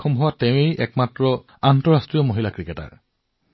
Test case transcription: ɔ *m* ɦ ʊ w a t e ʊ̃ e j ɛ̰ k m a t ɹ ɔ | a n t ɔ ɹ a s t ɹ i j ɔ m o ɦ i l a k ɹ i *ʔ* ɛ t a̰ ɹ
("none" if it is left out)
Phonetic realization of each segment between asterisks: m, k

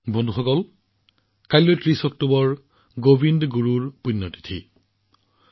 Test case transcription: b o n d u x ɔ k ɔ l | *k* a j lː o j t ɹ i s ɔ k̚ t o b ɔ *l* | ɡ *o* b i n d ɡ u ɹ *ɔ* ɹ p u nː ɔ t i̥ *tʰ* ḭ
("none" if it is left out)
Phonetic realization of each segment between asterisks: k, ɹ, o, u, tʰ

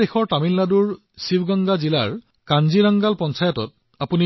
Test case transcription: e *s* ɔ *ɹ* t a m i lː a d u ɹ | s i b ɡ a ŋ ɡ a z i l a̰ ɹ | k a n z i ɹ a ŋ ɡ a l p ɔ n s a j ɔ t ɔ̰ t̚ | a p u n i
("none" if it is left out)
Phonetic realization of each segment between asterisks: x, ɹ

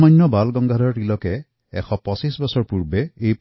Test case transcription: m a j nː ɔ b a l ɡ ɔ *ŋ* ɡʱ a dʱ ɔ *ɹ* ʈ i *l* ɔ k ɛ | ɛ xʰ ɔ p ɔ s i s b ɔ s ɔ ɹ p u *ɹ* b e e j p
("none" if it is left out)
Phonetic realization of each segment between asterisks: ŋ, ɹ, l, ɹ

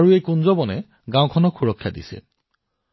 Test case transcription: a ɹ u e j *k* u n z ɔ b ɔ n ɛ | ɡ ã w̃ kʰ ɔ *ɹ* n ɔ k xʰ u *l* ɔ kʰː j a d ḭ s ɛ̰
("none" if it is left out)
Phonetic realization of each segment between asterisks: k, none, ɹ

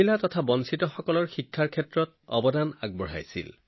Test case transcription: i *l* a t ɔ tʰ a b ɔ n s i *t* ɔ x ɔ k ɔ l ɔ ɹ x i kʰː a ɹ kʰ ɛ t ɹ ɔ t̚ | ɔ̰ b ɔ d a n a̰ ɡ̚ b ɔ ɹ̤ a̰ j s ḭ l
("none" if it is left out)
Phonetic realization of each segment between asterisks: l, t

